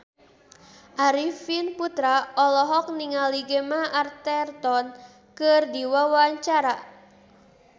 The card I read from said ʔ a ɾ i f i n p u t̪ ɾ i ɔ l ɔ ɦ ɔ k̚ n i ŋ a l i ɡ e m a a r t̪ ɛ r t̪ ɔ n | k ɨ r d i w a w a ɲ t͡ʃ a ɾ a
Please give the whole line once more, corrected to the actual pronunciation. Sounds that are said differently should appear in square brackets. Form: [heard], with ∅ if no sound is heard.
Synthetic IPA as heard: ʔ a ɾ i f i n p u t̪ ɾ [a] ɔ l ɔ ɦ ɔ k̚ n i ŋ a l i ɡ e m a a r t̪ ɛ r t̪ ɔ n | k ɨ r d i w a w a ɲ t͡ʃ a ɾ a